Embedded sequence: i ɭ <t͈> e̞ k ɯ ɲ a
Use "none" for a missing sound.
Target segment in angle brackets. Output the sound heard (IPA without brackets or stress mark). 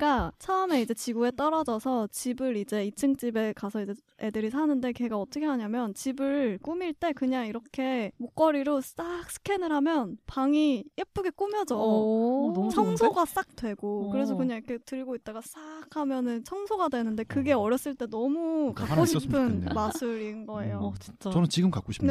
t͈